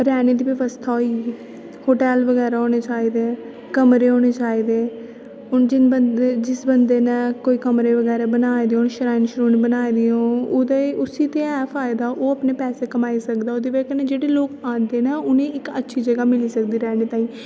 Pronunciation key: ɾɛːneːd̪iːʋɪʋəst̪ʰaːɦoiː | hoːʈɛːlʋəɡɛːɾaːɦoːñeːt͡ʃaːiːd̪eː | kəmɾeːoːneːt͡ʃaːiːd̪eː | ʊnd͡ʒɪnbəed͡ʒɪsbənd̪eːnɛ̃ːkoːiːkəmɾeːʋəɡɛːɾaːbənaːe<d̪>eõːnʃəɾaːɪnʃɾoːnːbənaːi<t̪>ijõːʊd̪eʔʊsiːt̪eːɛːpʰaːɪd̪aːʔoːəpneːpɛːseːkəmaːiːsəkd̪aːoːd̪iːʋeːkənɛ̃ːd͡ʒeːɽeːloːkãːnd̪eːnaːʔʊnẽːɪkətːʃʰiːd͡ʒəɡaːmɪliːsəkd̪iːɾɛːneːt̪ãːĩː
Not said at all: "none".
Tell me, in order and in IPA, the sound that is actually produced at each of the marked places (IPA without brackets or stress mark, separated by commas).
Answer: d̪, d̪